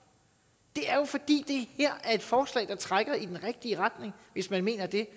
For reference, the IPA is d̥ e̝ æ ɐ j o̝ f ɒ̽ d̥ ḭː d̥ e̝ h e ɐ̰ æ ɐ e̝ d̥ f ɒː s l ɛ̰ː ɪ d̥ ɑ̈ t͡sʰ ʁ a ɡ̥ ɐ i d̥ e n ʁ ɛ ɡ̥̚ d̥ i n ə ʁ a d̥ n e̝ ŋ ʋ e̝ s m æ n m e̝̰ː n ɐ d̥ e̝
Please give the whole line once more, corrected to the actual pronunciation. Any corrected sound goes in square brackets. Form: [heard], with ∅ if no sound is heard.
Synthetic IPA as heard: d̥ e̝ æ ɐ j o̝ f ɒ̽ d̥ ḭː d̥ e̝ h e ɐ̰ æ ɐ e̝ d̥ f ɒː s l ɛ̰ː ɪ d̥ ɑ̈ t͡sʰ ʁ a ɡ̥ ɐ i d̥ e n ʁ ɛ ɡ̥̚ d̥ i [∅] ə ʁ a d̥ n e̝ ŋ ʋ e̝ s m æ n m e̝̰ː n ɐ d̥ e̝